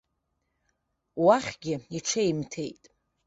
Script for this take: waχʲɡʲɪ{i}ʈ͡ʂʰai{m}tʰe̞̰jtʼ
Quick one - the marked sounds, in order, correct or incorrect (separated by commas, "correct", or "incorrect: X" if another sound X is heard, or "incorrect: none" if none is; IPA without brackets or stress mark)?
correct, correct